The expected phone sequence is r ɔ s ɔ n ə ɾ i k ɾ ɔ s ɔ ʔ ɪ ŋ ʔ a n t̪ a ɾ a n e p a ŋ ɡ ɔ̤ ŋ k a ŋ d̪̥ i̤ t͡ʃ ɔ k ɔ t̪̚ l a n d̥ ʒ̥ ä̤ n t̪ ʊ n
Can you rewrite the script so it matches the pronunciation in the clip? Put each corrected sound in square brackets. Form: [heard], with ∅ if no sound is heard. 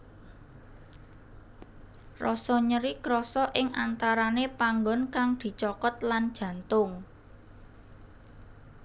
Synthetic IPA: r ɔ s ɔ [ɲ] ə ɾ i k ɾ ɔ s ɔ ʔ ɪ ŋ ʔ a n t̪ a ɾ a n e p a ŋ ɡ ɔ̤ [n] k a ŋ d̪̥ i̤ t͡ʃ ɔ k ɔ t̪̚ l a n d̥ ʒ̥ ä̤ n t̪ ʊ [ŋ]